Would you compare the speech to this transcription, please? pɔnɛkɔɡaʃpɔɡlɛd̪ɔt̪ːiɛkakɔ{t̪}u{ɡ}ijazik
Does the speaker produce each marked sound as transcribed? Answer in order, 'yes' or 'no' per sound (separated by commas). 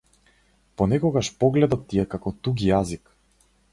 yes, yes